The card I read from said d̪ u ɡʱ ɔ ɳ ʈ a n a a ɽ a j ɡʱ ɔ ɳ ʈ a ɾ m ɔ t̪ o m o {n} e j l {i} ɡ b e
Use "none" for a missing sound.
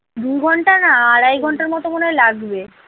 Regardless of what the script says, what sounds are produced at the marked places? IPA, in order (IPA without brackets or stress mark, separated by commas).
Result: n, a